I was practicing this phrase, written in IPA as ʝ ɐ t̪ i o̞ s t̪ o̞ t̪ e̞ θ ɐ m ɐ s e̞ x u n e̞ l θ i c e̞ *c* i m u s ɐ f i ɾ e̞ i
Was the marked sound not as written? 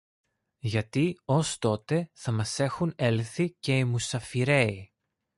yes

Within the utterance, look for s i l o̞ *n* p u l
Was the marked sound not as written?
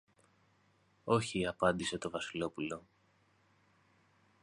yes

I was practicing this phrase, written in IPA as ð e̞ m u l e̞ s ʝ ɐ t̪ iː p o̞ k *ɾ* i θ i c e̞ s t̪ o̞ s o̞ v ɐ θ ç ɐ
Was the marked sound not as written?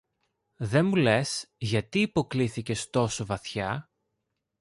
yes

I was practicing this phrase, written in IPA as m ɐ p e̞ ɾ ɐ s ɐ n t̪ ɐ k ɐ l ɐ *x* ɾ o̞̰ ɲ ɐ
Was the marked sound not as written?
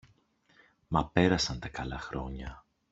no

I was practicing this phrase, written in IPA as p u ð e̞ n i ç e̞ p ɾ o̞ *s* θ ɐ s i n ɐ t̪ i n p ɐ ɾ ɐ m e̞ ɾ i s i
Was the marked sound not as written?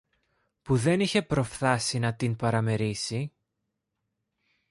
yes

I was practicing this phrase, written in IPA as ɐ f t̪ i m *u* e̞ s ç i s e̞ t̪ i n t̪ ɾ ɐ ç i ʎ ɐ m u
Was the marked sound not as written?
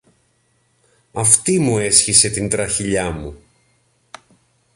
no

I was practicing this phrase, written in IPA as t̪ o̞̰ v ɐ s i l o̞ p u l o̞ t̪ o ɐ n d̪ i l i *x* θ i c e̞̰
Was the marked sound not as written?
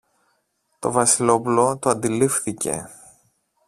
yes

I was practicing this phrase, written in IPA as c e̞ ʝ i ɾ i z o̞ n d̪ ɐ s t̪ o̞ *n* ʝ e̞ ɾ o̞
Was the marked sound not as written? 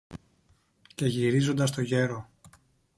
yes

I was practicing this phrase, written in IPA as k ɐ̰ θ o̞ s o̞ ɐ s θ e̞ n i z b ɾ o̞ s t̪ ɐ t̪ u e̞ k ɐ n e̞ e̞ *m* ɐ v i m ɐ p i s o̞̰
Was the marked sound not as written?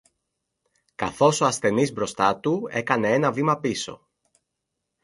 yes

